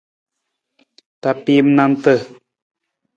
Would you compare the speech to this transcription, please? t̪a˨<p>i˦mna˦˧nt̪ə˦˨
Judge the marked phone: correct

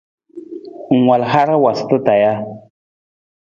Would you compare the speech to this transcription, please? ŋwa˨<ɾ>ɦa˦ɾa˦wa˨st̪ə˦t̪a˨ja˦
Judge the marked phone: incorrect: l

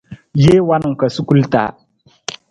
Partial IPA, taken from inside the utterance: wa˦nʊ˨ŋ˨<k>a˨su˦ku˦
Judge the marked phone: correct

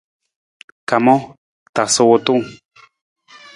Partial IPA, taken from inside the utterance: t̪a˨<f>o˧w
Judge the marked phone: incorrect: s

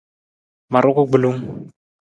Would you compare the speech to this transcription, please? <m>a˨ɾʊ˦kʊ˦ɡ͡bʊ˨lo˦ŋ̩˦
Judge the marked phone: correct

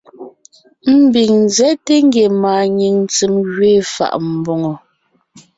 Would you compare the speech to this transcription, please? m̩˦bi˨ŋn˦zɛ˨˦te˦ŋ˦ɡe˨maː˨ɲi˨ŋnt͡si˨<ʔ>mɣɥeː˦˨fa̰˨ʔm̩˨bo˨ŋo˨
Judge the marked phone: incorrect: none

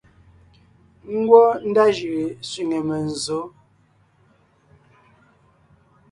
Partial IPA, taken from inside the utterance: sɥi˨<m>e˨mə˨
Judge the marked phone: incorrect: ŋ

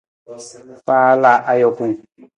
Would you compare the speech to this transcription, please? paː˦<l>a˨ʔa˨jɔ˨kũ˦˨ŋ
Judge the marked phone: correct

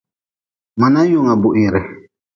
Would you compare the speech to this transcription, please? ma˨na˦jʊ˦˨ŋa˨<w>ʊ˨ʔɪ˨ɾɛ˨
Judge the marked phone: incorrect: b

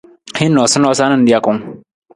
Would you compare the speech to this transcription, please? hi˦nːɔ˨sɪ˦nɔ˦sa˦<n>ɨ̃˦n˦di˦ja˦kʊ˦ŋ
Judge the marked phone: correct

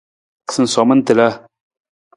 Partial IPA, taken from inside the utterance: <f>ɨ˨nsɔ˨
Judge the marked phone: incorrect: s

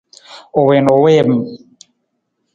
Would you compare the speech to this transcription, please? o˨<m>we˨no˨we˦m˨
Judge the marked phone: incorrect: none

